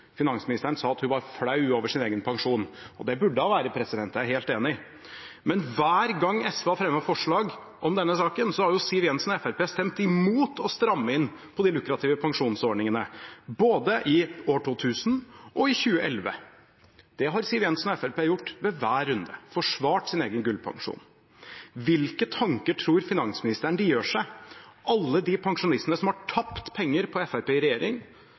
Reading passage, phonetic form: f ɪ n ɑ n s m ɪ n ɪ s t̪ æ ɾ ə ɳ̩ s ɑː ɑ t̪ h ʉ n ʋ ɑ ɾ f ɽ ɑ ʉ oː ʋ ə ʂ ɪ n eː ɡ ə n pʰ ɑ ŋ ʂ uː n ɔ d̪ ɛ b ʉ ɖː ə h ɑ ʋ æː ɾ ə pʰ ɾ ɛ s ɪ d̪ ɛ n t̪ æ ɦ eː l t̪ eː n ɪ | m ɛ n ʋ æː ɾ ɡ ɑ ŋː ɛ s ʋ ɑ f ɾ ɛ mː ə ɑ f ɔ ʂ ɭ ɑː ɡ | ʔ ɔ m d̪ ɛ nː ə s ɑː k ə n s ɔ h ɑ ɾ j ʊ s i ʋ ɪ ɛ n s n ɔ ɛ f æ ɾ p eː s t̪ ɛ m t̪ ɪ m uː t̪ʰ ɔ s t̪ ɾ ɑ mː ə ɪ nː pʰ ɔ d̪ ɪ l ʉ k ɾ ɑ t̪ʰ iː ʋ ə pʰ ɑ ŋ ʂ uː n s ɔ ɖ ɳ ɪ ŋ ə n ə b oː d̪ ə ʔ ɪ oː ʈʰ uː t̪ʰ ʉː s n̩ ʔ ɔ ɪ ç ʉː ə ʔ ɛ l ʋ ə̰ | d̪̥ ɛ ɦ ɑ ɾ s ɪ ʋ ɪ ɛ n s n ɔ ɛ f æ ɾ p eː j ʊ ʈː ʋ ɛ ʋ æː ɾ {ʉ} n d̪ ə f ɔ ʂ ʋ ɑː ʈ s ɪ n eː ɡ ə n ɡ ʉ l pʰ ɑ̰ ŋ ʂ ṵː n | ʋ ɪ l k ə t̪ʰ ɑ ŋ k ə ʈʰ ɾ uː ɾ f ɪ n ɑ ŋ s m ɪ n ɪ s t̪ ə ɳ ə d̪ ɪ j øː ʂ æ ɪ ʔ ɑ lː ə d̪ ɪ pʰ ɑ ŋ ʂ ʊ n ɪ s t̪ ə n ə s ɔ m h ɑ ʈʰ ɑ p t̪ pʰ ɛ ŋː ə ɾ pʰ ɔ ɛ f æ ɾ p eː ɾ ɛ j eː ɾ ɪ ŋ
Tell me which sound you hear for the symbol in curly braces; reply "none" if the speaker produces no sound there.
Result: ʉ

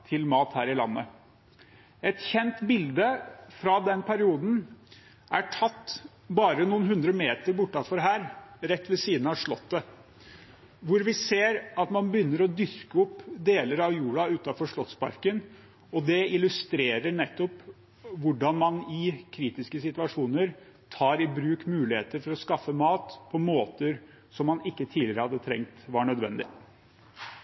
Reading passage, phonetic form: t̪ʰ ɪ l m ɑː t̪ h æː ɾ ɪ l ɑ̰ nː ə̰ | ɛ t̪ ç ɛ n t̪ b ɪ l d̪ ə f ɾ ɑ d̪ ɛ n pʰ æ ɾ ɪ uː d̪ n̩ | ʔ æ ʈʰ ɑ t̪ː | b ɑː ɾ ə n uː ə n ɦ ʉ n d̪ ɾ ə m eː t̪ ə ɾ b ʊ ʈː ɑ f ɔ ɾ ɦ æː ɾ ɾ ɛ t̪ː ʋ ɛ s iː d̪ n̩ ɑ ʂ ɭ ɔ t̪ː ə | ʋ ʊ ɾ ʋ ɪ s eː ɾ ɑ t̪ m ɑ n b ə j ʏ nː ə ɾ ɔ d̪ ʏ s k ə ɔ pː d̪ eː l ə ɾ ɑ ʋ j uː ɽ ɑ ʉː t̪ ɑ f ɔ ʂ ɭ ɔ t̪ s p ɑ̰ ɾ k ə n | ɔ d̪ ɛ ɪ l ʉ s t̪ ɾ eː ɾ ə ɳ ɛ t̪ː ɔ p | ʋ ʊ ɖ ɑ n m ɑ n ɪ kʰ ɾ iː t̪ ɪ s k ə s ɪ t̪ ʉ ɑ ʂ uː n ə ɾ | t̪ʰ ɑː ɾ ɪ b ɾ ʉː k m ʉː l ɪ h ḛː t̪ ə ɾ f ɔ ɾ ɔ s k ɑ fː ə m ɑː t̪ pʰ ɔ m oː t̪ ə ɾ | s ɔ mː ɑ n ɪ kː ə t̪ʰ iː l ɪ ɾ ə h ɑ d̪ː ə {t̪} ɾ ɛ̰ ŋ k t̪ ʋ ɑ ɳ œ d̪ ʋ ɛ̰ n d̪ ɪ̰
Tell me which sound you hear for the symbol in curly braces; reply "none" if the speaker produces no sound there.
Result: t̪ʰ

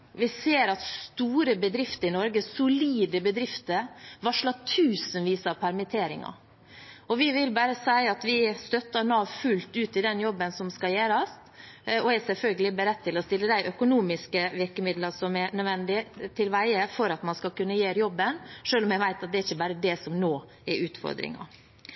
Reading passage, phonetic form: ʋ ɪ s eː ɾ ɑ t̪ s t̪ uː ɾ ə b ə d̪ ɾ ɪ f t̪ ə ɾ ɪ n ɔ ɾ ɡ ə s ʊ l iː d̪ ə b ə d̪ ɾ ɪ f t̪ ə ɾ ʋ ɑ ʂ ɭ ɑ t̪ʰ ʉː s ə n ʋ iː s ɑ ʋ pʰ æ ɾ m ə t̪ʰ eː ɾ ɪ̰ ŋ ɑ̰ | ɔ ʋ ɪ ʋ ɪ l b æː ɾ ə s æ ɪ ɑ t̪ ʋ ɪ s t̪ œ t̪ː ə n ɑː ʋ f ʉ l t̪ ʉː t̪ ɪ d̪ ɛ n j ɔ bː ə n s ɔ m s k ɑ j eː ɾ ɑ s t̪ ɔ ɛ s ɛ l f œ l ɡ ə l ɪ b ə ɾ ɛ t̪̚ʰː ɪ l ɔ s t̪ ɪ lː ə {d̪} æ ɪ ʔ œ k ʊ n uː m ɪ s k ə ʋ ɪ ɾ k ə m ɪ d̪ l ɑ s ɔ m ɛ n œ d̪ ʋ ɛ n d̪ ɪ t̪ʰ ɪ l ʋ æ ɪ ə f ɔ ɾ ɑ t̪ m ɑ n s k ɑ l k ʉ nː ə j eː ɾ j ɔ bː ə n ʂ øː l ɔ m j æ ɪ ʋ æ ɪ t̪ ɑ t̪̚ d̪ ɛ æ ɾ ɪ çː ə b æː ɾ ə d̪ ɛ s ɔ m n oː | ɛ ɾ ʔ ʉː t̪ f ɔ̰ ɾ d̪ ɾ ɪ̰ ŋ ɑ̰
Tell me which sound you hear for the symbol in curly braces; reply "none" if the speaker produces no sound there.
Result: d̪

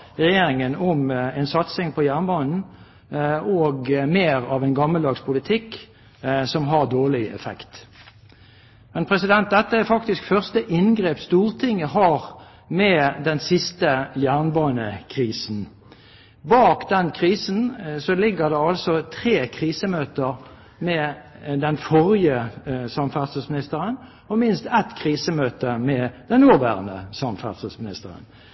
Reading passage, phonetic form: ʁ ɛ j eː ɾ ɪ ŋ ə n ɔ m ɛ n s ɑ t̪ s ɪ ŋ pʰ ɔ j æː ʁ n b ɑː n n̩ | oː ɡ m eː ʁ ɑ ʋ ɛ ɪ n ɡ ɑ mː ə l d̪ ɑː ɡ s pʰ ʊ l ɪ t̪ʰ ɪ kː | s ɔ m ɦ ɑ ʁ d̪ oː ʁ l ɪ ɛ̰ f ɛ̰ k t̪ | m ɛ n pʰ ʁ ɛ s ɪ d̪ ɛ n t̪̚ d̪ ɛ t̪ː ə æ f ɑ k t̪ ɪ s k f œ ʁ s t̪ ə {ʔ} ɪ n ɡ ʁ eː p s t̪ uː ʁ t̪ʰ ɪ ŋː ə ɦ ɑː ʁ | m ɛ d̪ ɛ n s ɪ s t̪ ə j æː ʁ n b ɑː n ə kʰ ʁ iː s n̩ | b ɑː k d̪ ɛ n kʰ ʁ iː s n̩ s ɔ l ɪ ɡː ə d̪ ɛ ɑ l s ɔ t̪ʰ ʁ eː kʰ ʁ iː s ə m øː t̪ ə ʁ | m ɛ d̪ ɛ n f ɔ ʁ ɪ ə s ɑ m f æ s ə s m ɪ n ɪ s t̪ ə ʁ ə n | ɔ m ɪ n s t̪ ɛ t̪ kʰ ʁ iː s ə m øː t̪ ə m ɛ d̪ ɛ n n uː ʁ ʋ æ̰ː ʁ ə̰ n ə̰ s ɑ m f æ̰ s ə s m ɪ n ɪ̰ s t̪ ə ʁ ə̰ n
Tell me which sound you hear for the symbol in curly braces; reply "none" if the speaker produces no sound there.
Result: ʔ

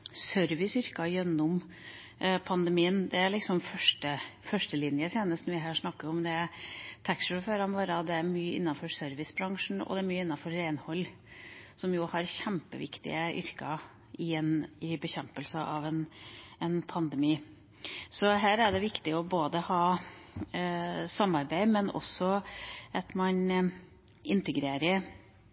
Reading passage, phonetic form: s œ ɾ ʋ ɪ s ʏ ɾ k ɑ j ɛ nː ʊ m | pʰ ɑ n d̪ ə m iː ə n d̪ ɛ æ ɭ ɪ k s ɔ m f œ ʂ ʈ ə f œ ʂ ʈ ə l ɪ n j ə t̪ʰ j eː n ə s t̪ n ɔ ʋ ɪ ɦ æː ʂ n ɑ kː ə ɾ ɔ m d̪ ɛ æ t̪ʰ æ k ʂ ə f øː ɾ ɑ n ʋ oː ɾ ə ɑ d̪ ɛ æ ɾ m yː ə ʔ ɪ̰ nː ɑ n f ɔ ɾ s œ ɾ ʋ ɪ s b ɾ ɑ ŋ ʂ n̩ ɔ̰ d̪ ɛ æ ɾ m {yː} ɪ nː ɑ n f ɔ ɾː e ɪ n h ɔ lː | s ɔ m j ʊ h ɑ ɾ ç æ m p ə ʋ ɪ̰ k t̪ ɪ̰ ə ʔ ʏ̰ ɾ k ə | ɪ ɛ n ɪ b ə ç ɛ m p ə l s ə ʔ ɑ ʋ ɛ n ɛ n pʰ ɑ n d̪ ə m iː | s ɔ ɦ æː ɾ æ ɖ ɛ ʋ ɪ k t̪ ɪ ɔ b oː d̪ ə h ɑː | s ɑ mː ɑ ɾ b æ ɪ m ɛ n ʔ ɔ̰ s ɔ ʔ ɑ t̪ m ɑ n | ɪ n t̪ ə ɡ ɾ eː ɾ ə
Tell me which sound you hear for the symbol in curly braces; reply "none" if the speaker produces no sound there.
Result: yː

